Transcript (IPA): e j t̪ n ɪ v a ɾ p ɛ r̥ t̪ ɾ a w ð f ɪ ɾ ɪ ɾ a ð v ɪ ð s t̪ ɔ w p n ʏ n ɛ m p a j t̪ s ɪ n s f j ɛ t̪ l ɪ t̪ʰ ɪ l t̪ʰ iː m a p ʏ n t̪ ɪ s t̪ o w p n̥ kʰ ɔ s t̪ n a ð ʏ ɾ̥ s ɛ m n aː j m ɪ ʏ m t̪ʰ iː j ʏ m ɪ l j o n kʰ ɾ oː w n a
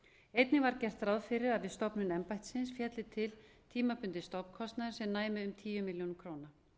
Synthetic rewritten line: e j t̪ n ɪ v a ɾ c ɛ r̥ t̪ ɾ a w ð f ɪ ɾ ɪ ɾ a ð v ɪ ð s t̪ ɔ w p n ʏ n ɛ m p a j t̪ s ɪ n s f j ɛ t̪ l ɪ t̪ʰ ɪ l t̪ʰ iː m a p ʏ n t̪ ɪ s t̪ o w p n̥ kʰ ɔ s t̪ n a ð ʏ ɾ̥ s ɛ m n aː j m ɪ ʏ m t̪ʰ iː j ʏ m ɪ l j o n kʰ ɾ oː w n a